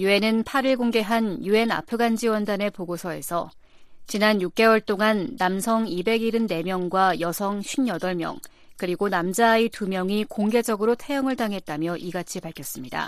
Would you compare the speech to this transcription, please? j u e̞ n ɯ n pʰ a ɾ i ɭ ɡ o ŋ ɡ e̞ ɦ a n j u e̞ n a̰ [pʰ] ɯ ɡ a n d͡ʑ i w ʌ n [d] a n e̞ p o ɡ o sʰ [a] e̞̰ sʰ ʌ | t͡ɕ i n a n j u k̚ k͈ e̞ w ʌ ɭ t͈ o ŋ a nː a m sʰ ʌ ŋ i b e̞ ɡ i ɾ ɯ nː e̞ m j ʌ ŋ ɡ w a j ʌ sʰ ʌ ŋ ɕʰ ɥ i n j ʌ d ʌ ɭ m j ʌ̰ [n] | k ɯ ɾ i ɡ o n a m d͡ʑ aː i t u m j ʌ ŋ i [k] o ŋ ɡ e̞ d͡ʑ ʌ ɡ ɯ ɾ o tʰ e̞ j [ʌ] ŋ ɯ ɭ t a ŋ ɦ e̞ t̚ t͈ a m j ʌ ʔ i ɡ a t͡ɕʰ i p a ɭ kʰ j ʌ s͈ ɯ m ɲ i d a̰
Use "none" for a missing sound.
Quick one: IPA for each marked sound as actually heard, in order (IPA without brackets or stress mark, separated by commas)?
pʰ, d, ʌ, ŋ, k, ʌ